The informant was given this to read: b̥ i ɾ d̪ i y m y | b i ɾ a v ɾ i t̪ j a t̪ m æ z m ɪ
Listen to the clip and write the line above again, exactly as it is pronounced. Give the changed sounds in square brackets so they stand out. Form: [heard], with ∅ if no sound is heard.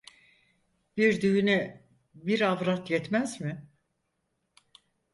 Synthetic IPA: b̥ i ɾ d̪ [y] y [n] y | b i ɾ a v ɾ [a] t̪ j [ɛ] t̪ m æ z m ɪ